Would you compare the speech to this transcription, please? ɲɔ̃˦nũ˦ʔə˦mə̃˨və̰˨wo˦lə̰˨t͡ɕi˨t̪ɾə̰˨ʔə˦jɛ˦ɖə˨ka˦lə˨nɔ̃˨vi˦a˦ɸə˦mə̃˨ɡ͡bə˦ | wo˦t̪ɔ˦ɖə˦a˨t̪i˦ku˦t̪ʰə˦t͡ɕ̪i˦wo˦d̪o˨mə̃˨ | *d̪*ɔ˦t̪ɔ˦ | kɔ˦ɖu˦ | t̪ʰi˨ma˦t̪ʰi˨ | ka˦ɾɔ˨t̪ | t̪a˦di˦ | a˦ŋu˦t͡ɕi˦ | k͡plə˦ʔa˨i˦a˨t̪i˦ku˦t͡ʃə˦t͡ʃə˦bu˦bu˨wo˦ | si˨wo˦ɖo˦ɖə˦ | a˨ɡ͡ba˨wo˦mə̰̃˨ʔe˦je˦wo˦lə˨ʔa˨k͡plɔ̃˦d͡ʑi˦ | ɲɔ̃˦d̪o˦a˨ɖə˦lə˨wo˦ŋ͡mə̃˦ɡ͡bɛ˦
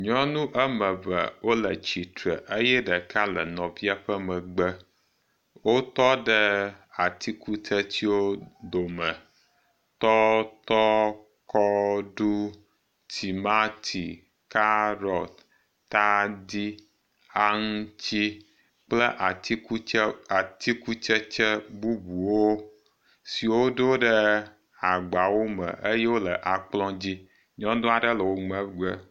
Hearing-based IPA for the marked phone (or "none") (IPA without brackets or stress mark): t̪